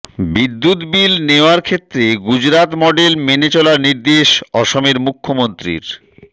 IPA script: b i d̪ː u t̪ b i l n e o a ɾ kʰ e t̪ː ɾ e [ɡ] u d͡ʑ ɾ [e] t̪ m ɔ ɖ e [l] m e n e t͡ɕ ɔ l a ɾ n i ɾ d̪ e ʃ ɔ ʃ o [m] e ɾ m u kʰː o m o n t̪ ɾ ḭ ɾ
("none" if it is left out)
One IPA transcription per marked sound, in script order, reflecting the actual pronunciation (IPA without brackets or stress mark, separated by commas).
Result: ɡ, a, l, m